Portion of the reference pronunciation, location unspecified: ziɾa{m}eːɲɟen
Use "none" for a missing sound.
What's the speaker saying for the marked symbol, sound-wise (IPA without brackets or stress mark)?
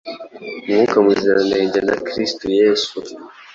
n